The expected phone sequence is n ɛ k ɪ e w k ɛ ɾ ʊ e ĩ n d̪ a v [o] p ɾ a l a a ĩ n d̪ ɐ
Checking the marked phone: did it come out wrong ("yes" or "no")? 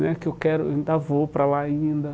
no